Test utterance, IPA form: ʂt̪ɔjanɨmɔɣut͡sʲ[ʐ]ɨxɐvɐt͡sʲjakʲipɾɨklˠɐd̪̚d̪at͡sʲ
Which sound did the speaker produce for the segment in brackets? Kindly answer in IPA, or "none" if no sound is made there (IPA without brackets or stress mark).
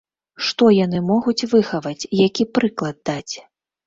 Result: v